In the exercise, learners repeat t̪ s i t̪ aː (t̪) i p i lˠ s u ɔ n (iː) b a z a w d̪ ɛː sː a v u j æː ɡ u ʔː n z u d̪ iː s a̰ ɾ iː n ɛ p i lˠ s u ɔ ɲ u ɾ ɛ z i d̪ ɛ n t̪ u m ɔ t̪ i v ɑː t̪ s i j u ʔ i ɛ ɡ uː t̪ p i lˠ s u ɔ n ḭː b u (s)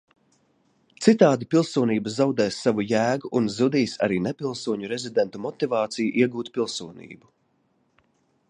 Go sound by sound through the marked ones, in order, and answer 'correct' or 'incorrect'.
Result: incorrect, correct, incorrect

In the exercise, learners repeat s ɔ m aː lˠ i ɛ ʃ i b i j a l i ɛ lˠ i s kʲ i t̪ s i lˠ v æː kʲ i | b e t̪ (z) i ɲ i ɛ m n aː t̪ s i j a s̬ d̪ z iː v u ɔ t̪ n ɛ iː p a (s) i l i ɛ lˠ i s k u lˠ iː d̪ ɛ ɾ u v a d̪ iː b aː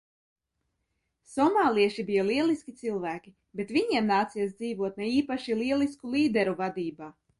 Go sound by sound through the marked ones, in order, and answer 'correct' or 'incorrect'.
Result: incorrect, incorrect

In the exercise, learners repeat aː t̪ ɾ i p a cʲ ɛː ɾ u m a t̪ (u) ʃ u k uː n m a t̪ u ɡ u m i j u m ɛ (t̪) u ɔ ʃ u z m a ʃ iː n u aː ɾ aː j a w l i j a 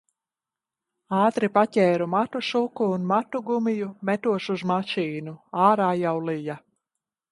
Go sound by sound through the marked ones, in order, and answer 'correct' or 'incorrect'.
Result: correct, correct

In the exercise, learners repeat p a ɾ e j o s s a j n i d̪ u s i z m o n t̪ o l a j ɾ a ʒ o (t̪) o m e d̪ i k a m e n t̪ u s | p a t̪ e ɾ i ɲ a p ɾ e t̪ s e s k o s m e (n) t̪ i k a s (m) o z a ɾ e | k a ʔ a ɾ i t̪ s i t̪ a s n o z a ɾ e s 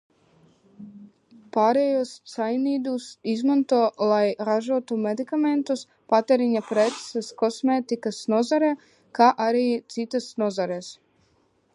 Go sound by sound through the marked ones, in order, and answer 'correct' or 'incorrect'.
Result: correct, incorrect, incorrect

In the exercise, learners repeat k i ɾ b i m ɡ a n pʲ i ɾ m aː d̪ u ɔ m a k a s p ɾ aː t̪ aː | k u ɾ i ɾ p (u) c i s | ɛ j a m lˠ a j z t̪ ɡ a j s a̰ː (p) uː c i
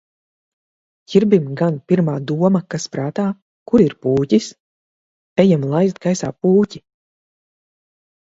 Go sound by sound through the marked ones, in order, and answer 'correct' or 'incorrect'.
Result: incorrect, correct

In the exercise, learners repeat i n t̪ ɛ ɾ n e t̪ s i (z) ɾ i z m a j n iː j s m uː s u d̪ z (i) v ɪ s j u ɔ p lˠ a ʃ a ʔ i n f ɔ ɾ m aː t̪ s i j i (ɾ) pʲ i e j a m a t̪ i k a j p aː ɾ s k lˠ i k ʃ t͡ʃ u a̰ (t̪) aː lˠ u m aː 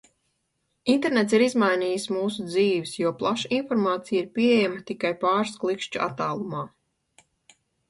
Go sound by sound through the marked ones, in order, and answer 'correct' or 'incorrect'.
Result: incorrect, incorrect, correct, correct

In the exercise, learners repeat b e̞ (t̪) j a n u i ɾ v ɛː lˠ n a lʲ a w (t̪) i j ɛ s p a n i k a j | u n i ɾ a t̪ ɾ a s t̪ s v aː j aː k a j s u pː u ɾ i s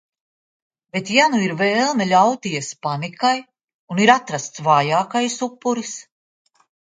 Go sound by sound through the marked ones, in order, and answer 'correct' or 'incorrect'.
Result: correct, correct

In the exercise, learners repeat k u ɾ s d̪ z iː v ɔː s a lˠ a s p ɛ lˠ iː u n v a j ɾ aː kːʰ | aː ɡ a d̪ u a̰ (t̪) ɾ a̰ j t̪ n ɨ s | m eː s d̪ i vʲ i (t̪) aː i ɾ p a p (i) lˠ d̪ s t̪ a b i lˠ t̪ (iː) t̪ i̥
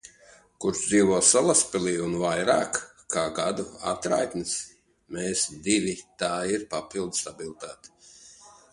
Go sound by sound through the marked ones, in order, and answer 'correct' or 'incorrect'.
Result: correct, correct, correct, incorrect

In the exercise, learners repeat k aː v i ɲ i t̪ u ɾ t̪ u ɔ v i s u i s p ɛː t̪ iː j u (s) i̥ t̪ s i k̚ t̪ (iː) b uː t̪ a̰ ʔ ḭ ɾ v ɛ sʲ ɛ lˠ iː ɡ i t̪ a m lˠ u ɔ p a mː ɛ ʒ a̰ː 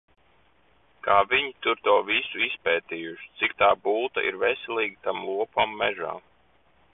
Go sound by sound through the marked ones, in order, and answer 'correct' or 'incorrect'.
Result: incorrect, incorrect

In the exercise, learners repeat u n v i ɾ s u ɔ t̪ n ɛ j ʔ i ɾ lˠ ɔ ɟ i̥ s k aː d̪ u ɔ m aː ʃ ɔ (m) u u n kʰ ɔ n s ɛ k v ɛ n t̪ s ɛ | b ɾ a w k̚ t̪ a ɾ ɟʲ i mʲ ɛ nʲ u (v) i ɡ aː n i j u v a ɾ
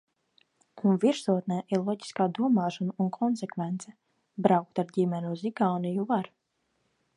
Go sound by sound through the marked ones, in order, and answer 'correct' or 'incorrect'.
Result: incorrect, incorrect

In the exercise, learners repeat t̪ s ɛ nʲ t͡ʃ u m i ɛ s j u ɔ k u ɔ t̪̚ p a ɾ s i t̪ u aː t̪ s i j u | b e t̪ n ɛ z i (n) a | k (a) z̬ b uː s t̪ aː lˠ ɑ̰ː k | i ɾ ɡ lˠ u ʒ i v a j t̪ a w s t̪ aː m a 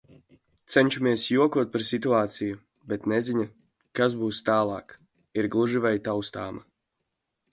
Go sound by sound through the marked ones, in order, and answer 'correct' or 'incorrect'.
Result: incorrect, correct

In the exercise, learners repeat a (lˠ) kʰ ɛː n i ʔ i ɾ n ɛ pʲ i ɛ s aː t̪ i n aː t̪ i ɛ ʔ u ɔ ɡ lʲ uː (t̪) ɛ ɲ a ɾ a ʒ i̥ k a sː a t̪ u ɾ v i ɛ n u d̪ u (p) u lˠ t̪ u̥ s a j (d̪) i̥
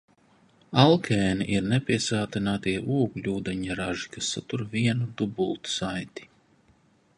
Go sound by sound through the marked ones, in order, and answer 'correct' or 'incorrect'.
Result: correct, incorrect, incorrect, incorrect

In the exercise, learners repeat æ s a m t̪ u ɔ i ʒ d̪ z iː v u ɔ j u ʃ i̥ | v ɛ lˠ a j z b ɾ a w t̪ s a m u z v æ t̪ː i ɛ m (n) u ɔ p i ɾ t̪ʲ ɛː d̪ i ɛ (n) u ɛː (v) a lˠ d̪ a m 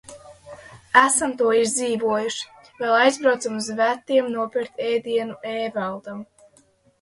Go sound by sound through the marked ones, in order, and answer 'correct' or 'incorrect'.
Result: correct, correct, correct

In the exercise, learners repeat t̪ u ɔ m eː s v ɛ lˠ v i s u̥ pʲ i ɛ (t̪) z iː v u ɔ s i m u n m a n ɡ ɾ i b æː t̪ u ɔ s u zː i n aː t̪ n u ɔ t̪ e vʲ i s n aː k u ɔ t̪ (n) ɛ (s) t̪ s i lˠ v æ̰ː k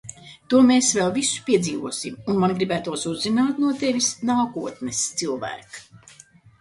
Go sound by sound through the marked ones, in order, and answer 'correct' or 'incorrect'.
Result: incorrect, correct, correct

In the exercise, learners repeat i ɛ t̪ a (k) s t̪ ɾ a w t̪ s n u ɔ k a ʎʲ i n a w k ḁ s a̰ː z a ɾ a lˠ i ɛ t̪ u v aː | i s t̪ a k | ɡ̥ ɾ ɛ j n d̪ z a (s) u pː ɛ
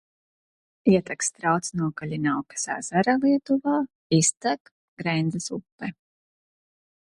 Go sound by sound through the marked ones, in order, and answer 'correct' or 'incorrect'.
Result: correct, correct

